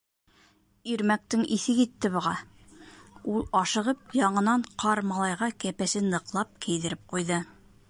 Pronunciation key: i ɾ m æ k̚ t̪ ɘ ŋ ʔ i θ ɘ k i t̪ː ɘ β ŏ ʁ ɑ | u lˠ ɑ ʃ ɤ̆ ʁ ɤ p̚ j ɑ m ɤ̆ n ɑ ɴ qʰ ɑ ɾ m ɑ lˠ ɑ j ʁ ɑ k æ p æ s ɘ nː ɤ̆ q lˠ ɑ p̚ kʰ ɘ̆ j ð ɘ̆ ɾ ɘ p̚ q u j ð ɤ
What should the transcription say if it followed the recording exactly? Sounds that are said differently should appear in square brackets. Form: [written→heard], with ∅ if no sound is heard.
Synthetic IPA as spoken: i ɾ m æ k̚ t̪ ɘ ŋ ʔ i θ ɘ k i t̪ː ɘ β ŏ ʁ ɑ | u lˠ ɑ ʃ ɤ̆ ʁ ɤ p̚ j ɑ [m→ɴ] ɤ̆ n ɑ ɴ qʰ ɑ ɾ m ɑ lˠ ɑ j ʁ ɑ k æ p æ s ɘ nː ɤ̆ q lˠ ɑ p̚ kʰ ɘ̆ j ð ɘ̆ ɾ ɘ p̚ q u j ð ɤ